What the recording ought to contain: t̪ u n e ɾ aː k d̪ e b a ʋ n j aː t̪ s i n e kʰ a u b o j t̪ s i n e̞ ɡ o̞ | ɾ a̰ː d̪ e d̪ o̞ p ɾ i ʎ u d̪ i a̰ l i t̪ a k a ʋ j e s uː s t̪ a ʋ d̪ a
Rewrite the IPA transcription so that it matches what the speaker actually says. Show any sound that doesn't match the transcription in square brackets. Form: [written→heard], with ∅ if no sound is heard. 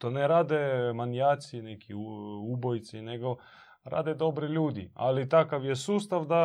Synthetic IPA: t̪ [u→o] n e ɾ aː [k→∅] d̪ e [b→m] a [ʋ→∅] n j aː t̪ s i n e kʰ [a→i] u b o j t̪ s i n e̞ ɡ o̞ | ɾ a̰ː d̪ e d̪ o̞ [p→b] ɾ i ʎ [u→uː] d̪ i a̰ l i t̪ a k a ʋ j e s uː s t̪ a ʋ d̪ a